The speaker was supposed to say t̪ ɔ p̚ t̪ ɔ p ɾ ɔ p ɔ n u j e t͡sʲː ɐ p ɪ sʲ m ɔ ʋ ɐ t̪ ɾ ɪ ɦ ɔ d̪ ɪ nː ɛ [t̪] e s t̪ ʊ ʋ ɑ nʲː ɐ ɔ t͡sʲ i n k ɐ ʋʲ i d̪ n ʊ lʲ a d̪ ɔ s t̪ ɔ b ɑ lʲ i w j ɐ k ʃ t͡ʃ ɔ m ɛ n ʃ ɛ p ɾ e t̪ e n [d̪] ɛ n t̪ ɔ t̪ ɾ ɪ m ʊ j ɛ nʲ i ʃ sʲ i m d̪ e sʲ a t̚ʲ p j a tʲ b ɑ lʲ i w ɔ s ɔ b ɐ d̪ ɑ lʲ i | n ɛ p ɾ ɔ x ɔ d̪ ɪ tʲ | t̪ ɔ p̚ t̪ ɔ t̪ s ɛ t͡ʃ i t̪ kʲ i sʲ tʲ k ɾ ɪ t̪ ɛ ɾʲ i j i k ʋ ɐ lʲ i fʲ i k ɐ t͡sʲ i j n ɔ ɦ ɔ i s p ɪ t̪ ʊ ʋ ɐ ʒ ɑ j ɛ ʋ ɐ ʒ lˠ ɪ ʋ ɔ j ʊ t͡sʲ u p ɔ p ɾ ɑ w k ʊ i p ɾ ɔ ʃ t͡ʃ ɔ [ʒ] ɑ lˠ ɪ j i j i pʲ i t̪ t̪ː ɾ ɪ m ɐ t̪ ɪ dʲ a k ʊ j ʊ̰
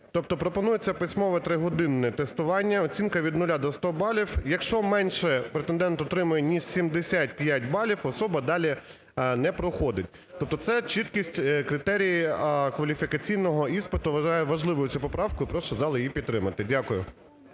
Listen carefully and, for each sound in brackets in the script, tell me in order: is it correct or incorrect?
correct, correct, incorrect: z

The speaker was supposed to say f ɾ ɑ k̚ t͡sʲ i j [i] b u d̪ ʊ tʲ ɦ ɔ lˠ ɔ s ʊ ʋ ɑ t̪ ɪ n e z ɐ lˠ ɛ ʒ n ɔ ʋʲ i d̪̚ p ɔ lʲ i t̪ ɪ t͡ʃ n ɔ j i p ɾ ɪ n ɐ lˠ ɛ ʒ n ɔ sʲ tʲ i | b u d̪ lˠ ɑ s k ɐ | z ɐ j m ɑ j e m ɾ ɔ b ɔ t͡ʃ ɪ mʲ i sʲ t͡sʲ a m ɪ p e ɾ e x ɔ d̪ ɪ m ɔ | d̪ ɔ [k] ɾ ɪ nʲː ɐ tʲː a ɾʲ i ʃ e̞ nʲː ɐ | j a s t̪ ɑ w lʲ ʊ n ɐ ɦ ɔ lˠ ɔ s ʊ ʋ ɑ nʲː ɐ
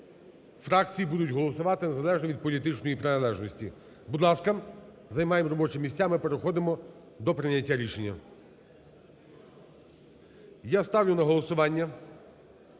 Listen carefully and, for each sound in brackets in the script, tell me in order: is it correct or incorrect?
correct, incorrect: p

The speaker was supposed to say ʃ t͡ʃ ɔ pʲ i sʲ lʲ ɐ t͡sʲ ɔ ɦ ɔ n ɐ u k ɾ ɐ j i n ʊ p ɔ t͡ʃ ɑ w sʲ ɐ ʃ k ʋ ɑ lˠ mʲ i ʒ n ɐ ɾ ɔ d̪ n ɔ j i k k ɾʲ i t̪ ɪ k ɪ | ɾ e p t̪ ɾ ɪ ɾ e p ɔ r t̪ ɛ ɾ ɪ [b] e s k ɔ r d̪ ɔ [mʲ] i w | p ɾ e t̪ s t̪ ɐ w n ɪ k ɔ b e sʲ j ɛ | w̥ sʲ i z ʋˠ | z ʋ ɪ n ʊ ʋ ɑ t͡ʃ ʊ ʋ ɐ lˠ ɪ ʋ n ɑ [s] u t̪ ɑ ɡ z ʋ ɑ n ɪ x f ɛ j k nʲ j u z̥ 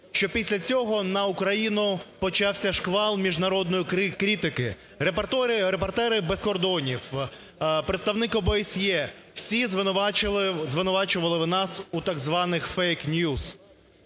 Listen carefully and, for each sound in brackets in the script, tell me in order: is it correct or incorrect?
correct, incorrect: nʲ, correct

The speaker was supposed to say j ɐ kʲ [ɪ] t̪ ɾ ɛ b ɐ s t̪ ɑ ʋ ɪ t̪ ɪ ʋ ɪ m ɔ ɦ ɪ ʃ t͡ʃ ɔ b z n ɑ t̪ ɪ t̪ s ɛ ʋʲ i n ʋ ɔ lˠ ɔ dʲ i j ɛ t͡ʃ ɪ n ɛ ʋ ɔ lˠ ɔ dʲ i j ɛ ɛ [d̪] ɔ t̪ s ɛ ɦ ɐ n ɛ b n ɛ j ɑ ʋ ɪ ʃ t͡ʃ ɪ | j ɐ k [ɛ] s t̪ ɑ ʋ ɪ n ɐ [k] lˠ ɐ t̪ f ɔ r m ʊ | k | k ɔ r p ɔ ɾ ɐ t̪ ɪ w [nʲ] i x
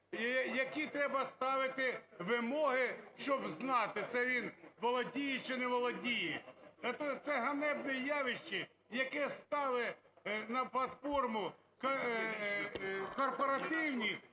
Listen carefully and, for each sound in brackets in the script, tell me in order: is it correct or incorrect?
incorrect: i, incorrect: t̪, correct, incorrect: p, correct

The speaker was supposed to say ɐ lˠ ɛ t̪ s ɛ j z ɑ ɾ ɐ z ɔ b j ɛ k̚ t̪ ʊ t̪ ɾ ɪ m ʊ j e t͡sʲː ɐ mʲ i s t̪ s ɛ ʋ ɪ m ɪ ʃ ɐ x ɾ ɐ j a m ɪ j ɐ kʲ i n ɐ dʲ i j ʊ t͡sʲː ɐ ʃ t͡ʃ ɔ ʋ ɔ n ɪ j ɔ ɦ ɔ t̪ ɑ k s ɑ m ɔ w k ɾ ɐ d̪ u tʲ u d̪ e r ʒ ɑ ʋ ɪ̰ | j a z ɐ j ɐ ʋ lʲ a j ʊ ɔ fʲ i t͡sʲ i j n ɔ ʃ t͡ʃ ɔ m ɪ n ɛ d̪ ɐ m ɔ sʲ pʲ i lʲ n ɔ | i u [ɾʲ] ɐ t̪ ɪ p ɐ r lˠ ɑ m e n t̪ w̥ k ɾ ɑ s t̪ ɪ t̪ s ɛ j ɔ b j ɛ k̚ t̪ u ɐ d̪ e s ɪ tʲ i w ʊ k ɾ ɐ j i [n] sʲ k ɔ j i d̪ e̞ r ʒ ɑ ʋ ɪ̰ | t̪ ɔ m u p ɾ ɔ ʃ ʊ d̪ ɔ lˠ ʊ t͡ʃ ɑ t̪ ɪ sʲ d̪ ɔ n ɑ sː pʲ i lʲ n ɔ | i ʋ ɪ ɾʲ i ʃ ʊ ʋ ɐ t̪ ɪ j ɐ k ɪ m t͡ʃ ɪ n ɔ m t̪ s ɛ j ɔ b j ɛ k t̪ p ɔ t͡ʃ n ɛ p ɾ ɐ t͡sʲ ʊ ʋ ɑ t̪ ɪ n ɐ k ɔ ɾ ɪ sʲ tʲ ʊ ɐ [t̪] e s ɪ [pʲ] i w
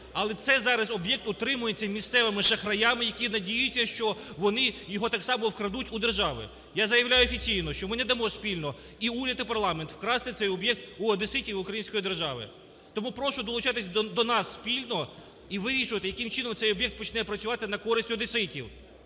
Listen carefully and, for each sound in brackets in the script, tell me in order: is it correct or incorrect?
correct, correct, incorrect: d̪, incorrect: tʲ

